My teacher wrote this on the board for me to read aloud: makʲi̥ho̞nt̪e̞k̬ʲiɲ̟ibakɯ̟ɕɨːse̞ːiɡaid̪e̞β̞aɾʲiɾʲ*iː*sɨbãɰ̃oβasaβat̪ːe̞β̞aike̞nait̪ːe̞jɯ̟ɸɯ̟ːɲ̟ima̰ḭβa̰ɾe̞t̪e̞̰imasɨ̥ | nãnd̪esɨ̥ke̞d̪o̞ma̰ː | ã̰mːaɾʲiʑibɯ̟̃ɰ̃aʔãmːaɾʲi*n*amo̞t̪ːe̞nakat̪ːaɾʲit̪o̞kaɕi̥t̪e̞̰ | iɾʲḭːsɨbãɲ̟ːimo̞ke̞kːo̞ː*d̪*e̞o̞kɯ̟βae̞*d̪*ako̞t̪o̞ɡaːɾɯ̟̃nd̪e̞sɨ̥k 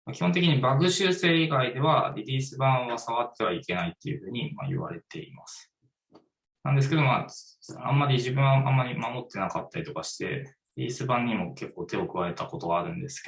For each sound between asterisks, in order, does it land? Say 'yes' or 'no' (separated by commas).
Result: yes, no, no, no